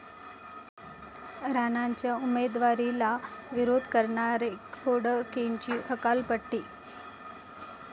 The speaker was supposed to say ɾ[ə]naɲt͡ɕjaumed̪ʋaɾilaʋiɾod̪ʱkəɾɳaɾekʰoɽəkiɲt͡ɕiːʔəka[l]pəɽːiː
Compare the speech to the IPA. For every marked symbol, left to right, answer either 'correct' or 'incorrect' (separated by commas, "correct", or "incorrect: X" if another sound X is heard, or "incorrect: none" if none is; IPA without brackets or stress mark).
incorrect: a, correct